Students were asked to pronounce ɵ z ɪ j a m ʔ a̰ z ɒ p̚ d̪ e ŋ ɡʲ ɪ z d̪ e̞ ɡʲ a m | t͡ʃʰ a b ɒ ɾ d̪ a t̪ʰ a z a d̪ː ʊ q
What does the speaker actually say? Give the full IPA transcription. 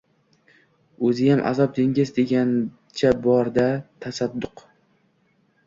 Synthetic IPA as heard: ɵ z ɪ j a m ʔ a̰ z ɒ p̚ d̪ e ŋ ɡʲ ɪ z d̪ e̞ ɡʲ a n | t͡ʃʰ a b ɒ ɾ d̪ a t̪ʰ a s a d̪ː ʊ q